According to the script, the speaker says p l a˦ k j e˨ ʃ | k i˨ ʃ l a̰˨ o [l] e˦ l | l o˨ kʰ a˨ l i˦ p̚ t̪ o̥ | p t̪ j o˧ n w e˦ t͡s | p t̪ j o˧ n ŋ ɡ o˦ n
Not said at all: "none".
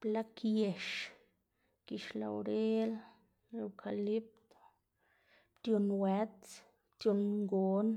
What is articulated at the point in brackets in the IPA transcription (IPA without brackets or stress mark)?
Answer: ɾ